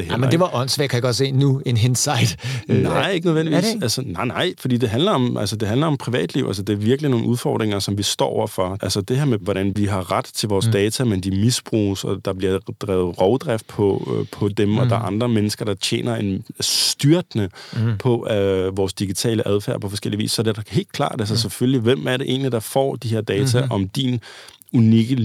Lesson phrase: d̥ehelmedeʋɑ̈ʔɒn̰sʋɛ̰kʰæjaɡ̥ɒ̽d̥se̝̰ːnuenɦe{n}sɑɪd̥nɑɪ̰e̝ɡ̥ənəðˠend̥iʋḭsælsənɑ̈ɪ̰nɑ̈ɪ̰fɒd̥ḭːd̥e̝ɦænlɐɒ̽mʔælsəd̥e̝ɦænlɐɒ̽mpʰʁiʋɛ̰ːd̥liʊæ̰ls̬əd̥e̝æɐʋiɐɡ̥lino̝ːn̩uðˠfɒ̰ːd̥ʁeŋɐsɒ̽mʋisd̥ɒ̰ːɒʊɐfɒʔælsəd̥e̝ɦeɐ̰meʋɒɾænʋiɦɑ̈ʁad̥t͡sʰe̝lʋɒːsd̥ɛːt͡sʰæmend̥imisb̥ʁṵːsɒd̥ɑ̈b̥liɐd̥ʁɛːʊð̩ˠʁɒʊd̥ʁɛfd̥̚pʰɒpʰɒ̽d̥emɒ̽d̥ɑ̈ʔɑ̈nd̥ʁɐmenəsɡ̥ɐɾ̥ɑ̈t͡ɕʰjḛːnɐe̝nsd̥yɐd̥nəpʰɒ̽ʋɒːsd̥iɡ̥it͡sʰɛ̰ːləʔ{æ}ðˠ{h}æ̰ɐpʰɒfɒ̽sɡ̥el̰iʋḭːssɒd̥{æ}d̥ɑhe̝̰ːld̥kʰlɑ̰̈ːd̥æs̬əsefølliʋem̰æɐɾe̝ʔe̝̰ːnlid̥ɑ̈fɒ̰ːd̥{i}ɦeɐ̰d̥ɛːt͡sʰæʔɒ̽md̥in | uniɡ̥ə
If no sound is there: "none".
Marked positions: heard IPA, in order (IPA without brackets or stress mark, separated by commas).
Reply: n, æ, f, e, i